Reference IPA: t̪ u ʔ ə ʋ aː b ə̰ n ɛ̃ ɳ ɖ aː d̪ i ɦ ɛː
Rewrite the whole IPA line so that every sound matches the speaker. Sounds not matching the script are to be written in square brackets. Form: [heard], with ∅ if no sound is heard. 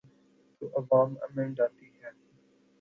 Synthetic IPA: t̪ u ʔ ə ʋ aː [m] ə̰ [m] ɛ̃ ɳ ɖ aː [t̪] i ɦ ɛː